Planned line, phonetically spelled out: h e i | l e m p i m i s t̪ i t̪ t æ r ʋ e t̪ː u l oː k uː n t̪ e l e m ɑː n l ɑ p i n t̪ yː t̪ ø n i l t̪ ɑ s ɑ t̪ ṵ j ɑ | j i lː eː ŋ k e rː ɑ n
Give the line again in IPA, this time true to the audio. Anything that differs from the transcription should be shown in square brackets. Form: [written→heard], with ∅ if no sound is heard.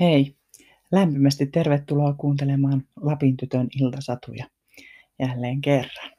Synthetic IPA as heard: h e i | l [e→æ] m p i m [i→æ] s t̪ i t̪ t [æ→e] r ʋ e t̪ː u l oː k uː n t̪ e l e m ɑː n l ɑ p i n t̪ [yː→y] t̪ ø n i l t̪ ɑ s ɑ t̪ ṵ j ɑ | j [i→æ] lː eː ŋ k e rː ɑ n